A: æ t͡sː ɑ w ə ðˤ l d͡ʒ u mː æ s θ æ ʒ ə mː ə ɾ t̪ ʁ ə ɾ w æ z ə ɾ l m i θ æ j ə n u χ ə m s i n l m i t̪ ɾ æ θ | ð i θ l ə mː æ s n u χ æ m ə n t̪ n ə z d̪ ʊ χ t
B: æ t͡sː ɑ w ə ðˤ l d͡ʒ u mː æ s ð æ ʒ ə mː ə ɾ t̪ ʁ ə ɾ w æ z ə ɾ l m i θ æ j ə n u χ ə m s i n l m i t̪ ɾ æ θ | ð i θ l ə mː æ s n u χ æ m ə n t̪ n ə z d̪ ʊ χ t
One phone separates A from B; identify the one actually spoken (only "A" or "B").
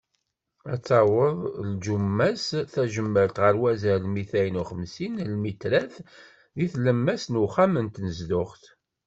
A